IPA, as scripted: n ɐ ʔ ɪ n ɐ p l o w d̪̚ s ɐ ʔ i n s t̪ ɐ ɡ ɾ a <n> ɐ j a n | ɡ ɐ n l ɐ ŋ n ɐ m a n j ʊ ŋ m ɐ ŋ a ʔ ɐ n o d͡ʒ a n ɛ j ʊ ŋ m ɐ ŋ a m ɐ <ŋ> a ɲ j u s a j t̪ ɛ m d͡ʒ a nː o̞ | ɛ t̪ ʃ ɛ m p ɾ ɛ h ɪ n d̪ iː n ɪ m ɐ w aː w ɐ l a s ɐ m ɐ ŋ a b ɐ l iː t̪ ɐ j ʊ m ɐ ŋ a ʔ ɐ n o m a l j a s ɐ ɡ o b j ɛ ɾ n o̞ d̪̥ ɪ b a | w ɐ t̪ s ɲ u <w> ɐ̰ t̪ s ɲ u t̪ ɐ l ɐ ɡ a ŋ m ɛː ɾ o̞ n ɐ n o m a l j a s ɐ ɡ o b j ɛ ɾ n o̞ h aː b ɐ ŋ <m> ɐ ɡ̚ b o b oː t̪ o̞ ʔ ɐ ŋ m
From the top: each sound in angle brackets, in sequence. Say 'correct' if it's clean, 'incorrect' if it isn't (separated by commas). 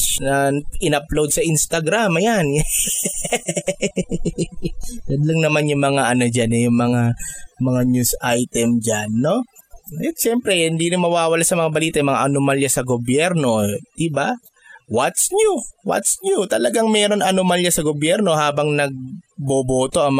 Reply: incorrect, correct, correct, incorrect